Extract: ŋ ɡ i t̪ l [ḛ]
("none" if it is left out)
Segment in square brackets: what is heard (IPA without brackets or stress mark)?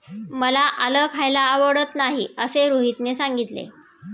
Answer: ḛ